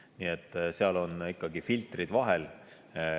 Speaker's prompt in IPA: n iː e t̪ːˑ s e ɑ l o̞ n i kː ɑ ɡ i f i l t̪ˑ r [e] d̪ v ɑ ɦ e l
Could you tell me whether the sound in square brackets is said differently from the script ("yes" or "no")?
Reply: yes